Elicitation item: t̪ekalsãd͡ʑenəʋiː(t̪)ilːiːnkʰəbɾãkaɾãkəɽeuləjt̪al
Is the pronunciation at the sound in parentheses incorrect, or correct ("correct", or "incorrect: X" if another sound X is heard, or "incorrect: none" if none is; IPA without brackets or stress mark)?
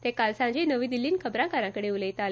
incorrect: d̪